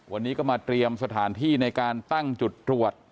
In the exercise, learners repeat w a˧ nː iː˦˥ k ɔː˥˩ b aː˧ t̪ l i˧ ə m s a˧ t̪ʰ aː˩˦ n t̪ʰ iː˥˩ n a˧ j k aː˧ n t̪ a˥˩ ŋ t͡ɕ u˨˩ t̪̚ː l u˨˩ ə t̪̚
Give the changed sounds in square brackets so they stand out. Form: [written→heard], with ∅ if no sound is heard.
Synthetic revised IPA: w a˧ nː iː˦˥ k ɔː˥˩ [b→m] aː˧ t̪ [l→ɾ] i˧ ə m s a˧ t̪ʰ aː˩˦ n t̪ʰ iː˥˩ n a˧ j k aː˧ n t̪ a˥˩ ŋ t͡ɕ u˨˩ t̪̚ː [l→ɾ] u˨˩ ə t̪̚